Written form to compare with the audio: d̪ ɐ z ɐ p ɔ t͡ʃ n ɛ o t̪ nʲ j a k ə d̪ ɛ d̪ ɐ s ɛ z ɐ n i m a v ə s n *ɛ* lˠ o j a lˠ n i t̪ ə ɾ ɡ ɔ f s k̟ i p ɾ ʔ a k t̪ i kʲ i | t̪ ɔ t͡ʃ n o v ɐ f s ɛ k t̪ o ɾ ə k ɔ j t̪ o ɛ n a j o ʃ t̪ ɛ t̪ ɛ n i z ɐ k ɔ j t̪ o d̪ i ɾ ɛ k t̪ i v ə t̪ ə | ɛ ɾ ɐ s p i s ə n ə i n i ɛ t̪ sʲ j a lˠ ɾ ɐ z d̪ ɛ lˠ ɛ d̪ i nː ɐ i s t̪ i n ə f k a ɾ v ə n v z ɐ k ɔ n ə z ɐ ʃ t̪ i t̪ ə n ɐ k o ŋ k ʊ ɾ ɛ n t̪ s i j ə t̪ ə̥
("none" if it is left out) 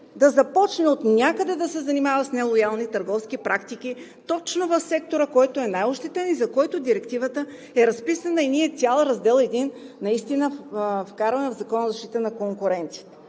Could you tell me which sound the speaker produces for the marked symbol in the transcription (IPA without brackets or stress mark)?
ɛ